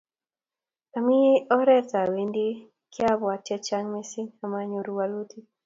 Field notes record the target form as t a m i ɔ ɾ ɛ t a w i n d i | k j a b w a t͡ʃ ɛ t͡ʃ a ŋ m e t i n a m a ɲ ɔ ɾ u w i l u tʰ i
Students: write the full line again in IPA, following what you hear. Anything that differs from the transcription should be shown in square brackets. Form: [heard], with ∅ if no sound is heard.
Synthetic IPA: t a m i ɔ ɾ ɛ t a w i n d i | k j a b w a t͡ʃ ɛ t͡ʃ a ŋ m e [s] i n a m a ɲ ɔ ɾ u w [a] l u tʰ i